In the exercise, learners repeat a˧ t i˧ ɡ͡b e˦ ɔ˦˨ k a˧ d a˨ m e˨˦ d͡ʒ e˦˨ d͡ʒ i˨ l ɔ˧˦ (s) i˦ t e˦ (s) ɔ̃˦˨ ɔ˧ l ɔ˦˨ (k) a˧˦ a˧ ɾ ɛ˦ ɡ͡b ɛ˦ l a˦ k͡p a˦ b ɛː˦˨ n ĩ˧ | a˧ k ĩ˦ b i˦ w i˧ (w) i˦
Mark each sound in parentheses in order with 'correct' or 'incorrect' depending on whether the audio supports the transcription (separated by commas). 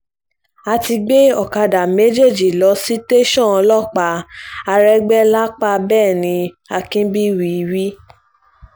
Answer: correct, incorrect, incorrect, correct